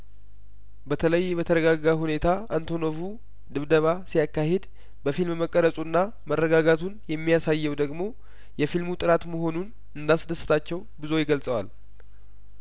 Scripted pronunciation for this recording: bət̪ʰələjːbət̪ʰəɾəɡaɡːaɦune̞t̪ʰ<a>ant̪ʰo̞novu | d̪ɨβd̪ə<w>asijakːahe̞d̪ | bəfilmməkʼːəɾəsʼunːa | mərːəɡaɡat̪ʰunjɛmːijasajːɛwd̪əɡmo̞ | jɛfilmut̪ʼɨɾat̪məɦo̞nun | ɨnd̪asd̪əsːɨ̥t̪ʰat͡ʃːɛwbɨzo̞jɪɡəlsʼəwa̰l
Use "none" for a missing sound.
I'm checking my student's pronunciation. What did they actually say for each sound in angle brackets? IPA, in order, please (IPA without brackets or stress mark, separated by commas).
a, β